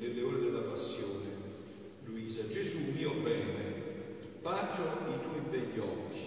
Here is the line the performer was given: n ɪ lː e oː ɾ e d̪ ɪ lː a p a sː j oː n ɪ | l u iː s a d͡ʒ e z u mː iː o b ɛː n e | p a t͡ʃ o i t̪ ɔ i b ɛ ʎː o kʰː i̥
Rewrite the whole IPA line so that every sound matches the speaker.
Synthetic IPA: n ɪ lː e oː ɾ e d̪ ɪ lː a p a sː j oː n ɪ | l u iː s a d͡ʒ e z u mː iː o b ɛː n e | p a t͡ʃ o i t̪ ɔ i b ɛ ʎː ɔ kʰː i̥